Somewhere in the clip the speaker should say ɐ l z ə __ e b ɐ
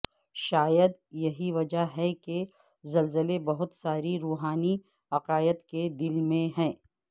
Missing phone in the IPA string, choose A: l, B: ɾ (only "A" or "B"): A